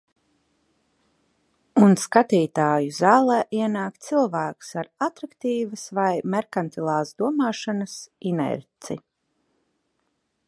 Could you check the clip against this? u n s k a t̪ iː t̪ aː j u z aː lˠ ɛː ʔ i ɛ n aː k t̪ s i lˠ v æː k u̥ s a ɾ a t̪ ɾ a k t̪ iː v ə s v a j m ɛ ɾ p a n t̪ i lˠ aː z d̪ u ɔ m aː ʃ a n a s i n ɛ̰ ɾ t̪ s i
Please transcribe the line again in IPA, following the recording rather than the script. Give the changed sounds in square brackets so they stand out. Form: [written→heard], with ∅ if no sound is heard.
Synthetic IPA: u n s k a t̪ iː t̪ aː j u z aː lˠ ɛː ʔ i ɛ n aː k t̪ s i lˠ v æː k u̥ s a ɾ a t̪ ɾ a k t̪ iː v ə s v a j m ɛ ɾ [p→k] a n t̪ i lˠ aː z d̪ u ɔ m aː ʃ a n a s i n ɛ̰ ɾ t̪ s i